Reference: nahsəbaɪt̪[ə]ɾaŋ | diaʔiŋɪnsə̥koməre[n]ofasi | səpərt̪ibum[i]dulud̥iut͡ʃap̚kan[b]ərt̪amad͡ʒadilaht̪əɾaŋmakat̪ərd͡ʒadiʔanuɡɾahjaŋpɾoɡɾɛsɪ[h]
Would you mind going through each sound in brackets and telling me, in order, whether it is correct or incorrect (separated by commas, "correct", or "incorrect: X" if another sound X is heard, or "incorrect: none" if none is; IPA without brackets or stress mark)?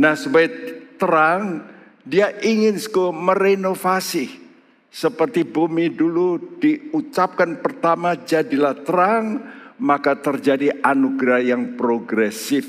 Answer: correct, correct, correct, incorrect: p, incorrect: f